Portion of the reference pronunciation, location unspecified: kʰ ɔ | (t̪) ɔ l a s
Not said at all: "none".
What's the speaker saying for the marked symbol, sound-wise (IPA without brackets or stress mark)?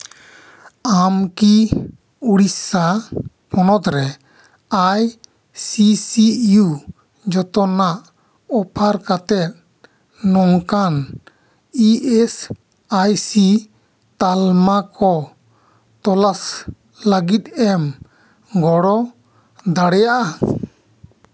t̪